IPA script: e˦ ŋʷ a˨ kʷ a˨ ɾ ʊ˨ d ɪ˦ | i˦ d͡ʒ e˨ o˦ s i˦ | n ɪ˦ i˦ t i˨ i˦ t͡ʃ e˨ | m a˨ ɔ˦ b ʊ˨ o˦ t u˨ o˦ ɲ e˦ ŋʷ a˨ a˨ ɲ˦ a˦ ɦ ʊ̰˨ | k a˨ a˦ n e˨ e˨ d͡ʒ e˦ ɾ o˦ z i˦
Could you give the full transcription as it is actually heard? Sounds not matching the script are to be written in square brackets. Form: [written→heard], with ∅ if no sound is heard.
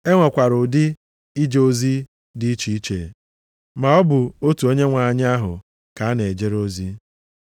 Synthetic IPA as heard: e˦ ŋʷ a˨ kʷ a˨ ɾ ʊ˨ d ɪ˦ | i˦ d͡ʒ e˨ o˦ [s→z] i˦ | [n→d] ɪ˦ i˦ [t→t͡ʃ] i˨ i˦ t͡ʃ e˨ | m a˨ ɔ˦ b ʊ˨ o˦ t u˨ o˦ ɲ e˦ ŋʷ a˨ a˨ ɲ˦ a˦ ɦ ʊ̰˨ | k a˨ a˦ n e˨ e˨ d͡ʒ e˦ ɾ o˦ z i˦

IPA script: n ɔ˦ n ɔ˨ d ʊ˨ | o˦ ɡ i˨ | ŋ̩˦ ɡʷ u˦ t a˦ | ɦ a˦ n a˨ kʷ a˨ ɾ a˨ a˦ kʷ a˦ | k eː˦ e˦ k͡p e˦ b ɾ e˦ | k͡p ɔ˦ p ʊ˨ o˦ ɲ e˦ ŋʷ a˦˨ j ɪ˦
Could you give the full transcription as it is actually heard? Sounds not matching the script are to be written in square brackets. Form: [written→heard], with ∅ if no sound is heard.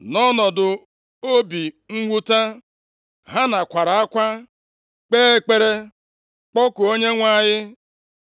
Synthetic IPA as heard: n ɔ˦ n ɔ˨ d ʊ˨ | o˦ [ɡ→b] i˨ | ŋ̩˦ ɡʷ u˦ t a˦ | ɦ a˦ n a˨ kʷ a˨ ɾ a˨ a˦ kʷ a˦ | [k→k͡p] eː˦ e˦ k͡p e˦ [b→∅] ɾ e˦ | k͡p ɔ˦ [p→k] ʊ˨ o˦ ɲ e˦ ŋʷ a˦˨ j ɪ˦

